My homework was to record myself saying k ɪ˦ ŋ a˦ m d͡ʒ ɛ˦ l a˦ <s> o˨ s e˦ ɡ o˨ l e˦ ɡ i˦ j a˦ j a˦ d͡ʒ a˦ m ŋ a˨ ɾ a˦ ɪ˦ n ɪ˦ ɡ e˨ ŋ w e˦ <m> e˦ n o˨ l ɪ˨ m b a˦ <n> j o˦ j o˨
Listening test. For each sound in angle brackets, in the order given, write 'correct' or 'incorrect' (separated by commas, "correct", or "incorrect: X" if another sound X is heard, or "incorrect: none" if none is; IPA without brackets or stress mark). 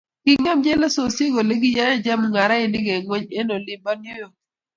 correct, incorrect: ɲ, correct